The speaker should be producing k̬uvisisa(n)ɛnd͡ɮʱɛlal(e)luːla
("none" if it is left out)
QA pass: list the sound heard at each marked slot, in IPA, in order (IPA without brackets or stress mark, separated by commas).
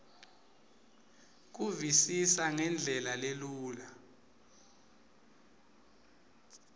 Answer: ŋ, e